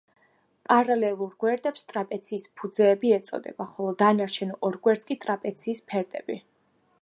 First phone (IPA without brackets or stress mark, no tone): pʼ